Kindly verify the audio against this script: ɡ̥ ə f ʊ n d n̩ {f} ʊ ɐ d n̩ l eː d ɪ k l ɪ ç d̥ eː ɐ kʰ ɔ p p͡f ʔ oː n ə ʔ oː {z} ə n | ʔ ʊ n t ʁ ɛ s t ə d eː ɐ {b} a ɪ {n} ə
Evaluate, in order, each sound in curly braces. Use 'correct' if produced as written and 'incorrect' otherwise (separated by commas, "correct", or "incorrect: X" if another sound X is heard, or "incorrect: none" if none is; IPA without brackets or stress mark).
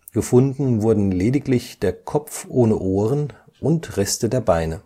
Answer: incorrect: v, incorrect: ʁ, correct, correct